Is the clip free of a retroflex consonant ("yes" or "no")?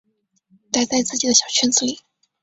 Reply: yes